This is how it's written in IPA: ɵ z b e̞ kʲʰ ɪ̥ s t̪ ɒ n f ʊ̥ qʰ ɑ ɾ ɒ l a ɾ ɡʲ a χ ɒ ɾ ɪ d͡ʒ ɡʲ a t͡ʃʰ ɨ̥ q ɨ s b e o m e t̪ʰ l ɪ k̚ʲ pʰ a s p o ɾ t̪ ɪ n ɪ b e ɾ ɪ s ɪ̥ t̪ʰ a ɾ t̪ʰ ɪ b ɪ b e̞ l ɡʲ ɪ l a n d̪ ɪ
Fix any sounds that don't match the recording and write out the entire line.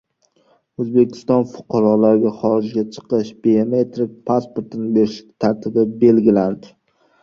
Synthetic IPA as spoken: ɵ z b e̞ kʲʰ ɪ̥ s t̪ ɒ n f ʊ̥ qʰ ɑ ɾ ɒ l a ɾ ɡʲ a χ ɒ ɾ ɪ d͡ʒ ɡʲ a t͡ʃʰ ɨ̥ q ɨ ʃ b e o m e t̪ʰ ɾ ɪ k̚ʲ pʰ a s p o ɾ t̪ ɪ n ɪ b e ɾ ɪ ʃ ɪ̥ t̪ʰ a ɾ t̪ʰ ɪ b ɪ b e̞ l ɡʲ ɪ l a n d̪ ɪ

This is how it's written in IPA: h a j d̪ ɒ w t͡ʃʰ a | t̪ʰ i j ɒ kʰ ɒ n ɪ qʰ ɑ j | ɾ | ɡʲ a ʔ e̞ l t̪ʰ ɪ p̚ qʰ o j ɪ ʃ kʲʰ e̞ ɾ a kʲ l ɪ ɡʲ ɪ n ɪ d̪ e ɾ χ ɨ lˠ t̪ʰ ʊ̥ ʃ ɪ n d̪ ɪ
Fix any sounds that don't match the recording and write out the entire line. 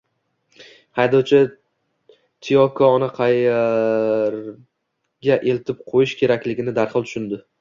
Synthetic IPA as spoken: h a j d̪ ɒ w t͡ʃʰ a | t̪ʰ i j ɒ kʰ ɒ n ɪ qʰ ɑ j | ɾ | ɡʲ a ʔ e̞ l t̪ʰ ɪ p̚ qʰ o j ɪ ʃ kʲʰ e̞ ɾ a kʲ l ɪ ɡʲ ɪ n ɪ d̪ a ɾ χ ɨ lˠ t̪ʰ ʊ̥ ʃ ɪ n d̪ ɪ

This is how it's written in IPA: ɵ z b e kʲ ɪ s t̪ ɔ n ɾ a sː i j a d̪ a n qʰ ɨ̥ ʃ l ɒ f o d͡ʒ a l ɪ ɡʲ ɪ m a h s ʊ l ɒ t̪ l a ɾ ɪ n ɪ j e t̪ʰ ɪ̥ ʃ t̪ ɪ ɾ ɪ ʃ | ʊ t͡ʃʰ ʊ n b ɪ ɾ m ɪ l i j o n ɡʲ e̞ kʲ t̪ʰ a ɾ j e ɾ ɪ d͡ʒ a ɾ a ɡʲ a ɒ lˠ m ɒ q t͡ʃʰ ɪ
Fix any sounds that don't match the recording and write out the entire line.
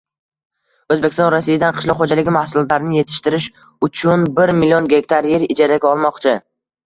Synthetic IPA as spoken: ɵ z b e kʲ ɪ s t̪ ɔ n ɾ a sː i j a d̪ a n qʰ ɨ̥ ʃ l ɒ χ o d͡ʒ a l ɪ ɡʲ ɪ m a h s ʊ l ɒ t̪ l a ɾ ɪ n ɪ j e t̪ʰ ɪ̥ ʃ t̪ ɪ ɾ ɪ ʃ | ʊ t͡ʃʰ ʊ n b ɪ ɾ m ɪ l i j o n ɡʲ e̞ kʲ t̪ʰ a ɾ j e ɾ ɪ d͡ʒ a ɾ a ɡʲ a ɒ lˠ m ɒ q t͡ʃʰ ɪ

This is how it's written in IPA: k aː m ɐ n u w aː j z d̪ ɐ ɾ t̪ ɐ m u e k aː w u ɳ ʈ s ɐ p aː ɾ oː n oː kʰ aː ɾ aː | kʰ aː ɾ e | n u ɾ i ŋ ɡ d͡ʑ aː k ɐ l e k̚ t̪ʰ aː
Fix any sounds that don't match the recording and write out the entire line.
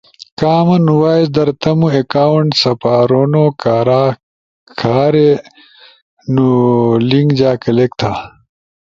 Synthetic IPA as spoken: k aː m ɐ n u w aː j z d̪ ɐ ɾ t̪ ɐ m u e k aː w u ɳ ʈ s ɐ p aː ɾ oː n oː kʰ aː ɾ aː | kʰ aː ɾ e | n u l i ŋ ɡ d͡ʑ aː k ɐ l e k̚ t̪ʰ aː

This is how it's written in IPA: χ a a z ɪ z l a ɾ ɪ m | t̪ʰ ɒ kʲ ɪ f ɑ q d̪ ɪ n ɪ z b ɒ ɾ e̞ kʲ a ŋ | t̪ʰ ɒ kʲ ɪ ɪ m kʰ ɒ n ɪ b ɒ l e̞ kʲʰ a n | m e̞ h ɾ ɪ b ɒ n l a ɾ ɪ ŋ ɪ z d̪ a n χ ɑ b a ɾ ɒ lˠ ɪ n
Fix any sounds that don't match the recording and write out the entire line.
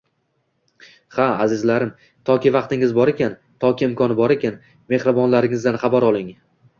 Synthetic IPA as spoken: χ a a z ɪ z l a ɾ ɪ m | t̪ʰ ɒ kʲ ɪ v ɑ q t̪ ɪ ŋ ɪ z b ɒ ɾ e̞ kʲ a n | t̪ʰ ɒ kʲ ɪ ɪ m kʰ ɒ n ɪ b ɒ ɾ e̞ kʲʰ a n | m e̞ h ɾ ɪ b ɒ n l a ɾ ɪ ŋ ɪ z d̪ a n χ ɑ b a ɾ ɒ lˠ ɪ ŋ

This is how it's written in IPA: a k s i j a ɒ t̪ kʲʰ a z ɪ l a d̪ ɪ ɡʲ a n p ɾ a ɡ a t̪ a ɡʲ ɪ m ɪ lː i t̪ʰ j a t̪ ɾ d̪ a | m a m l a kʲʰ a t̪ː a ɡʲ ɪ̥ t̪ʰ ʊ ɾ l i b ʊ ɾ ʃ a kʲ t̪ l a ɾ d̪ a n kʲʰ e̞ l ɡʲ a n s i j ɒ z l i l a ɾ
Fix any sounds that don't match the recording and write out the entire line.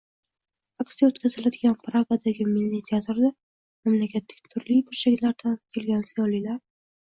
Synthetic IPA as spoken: a k s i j a o t̪ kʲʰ a z ɪ l a d̪ ɪ ɡʲ a n p ɾ a ɡ a d̪ a ɡʲ ɪ m ɪ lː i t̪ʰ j a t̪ ɾ d̪ a | m a m l a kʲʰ a t̪ː a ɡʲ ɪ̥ t̪ʰ ʊ ɾ l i b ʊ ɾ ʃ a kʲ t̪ l a ɾ d̪ a n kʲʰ e̞ l ɡʲ a n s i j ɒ l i l a ɾ

